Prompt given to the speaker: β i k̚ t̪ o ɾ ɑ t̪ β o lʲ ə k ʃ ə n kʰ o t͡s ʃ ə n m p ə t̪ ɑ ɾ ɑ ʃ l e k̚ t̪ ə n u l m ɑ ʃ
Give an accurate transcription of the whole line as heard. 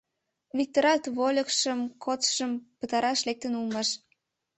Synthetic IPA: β i k̚ t̪ o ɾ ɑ t̪ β o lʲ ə k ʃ ə m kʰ o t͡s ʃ ə m p ə t̪ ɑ ɾ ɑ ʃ l e k̚ t̪ ə n u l m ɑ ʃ